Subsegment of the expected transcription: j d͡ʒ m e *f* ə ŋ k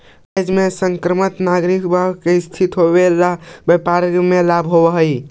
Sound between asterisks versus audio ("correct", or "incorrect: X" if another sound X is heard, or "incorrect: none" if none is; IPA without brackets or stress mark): incorrect: s